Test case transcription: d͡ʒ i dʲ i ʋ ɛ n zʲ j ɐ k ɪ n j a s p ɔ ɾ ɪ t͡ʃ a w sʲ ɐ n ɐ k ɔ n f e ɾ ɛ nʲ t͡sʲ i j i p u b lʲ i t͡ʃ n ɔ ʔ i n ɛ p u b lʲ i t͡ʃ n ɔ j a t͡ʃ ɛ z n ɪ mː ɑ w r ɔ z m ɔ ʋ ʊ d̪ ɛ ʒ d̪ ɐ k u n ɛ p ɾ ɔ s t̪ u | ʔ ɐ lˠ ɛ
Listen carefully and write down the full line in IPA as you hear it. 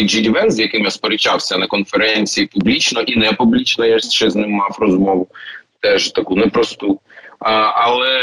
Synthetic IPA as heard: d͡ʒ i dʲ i ʋ ɛ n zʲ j ɐ k ɪ m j a s p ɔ ɾ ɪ t͡ʃ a w sʲ ɐ n ɐ k ɔ n f e ɾ ɛ nʲ t͡sʲ i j i p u b lʲ i t͡ʃ n ɔ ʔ i n ɛ p u b lʲ i t͡ʃ n ɔ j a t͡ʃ ɛ z n ɪ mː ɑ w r ɔ z m ɔ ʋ ʊ t̪ ɛ ʒ t̪ ɐ k u n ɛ p ɾ ɔ s t̪ u | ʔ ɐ lˠ ɛ